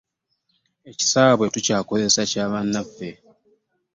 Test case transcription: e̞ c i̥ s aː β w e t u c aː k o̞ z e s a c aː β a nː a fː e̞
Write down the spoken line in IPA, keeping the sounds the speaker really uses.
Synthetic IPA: e̞ c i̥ s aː β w e t u c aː k o̞ z e s a c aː β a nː a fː e̞